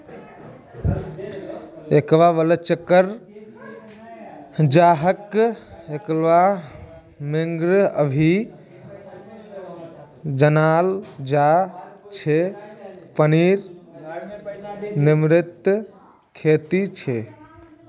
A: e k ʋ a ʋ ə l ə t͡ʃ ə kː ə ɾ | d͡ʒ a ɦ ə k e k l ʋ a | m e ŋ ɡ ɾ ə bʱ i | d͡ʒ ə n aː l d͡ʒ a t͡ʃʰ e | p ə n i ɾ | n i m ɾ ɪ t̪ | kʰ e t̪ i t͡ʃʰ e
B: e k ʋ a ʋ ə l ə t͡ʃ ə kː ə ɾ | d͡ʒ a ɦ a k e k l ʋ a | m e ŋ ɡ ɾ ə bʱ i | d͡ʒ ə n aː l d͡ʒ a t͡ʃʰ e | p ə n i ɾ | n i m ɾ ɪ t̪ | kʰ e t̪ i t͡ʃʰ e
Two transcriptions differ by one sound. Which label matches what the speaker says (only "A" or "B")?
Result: A